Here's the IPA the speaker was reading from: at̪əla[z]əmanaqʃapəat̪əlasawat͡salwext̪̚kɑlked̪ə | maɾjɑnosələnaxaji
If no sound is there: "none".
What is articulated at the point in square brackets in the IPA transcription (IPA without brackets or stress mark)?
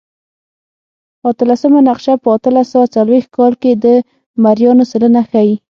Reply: s